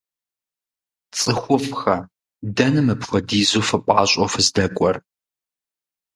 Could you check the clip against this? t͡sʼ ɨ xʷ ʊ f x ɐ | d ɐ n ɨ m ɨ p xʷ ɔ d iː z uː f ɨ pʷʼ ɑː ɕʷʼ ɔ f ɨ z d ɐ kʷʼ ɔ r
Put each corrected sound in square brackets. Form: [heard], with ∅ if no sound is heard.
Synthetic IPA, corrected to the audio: t͡sʼ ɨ xʷ ʊ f x ɐ | d ɐ n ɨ m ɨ p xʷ ɔ d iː z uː f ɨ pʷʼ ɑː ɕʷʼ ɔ f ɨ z d ɐ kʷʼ ɔ r